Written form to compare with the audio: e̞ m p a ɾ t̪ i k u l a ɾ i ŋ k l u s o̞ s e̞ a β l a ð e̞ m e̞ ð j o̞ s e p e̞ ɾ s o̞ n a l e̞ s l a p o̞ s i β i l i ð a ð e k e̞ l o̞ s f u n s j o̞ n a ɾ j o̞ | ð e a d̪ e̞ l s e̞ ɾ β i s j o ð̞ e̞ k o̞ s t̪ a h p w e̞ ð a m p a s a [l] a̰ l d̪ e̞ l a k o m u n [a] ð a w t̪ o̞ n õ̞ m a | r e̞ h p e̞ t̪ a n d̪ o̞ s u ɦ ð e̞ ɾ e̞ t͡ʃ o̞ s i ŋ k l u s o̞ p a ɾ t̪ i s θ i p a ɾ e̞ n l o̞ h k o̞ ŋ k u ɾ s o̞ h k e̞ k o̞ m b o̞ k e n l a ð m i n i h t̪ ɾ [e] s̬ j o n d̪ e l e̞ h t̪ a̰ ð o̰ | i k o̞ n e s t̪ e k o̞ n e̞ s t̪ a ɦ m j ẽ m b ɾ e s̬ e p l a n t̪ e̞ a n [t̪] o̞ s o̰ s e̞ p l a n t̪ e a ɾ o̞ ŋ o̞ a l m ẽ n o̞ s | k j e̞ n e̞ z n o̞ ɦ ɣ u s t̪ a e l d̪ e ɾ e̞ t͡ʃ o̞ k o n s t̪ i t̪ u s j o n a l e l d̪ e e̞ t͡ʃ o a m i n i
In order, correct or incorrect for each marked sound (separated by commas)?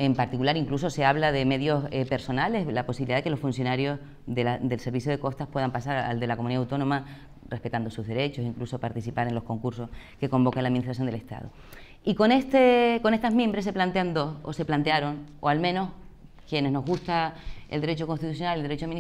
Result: incorrect, incorrect, incorrect, incorrect